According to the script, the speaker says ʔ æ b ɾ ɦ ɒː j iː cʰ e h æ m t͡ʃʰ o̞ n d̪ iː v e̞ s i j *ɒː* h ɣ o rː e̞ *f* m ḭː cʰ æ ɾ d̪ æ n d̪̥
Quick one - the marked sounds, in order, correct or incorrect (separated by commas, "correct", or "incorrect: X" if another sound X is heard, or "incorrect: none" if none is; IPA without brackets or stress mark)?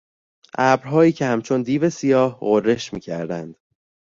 correct, incorrect: ʃ